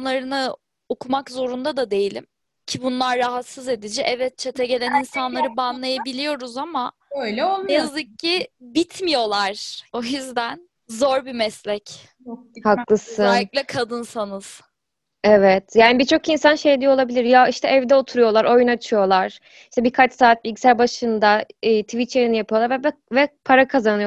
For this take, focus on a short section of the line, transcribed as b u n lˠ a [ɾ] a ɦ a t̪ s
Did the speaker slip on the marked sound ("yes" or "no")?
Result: yes